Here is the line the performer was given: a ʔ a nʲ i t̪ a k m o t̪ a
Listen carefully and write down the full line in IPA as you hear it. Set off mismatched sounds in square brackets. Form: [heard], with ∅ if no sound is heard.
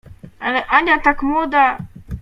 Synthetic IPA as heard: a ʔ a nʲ [a] t̪ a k m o [d̪] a